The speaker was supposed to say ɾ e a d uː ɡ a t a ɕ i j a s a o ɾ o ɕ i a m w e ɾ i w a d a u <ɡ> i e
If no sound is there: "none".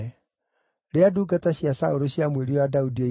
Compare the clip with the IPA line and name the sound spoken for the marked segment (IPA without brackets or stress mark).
d